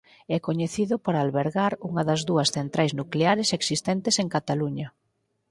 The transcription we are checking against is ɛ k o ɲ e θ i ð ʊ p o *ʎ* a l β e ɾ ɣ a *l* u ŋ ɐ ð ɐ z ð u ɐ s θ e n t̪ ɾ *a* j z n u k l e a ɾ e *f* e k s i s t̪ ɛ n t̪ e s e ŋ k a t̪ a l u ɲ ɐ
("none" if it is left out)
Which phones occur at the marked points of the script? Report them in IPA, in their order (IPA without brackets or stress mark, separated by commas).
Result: ɾ, ɾ, a, s